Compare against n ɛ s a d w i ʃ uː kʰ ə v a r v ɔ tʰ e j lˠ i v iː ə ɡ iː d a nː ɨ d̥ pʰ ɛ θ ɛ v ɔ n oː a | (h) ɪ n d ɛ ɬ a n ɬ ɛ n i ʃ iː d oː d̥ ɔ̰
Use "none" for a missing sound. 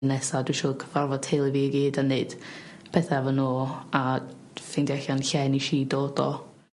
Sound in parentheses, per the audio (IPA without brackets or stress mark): f